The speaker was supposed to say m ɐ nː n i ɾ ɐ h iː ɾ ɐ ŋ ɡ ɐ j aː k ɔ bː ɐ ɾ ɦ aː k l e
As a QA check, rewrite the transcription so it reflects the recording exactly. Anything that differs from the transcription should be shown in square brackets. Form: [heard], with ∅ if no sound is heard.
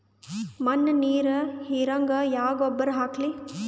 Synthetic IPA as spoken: m ɐ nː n [iː] ɾ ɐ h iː ɾ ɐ ŋ ɡ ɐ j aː [ɡ] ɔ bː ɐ ɾ ɦ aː k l [i]